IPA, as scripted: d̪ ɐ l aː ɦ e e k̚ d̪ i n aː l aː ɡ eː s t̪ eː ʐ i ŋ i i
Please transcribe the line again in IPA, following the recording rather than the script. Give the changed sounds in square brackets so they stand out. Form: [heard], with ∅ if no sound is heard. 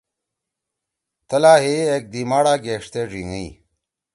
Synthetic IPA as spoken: [t̪] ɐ l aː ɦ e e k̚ d̪ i [m] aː [ɽ] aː ɡ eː [ʂ] t̪ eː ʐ i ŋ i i